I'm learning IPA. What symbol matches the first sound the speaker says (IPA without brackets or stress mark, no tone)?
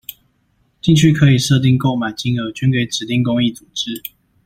t͡ɕ